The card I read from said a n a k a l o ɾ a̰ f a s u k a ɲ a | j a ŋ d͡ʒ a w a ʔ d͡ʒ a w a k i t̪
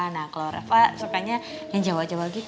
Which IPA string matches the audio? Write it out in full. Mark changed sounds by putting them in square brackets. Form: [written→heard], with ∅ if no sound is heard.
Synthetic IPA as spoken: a n a k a l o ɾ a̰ f a s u k a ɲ a | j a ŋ d͡ʒ a w a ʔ d͡ʒ a w a [k→ɡ] i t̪